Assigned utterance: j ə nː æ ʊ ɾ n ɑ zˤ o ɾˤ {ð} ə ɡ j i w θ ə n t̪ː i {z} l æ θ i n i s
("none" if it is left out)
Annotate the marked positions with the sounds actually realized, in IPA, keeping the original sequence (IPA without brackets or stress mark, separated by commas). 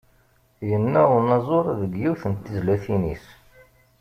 ð, z